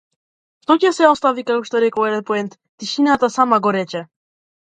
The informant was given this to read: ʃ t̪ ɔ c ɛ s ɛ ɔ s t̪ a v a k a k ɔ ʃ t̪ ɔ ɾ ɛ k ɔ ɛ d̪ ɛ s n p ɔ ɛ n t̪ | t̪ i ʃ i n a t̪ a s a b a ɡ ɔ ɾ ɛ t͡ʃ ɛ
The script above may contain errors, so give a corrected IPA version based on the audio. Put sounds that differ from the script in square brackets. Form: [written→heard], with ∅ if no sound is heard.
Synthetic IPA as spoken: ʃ t̪ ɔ c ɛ s ɛ ɔ s t̪ a v [a→i] k a k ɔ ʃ t̪ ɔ ɾ ɛ k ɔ ɛ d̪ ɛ [s→∅] n p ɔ ɛ n t̪ | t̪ i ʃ i n a t̪ a s a [b→m] a ɡ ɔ ɾ ɛ t͡ʃ ɛ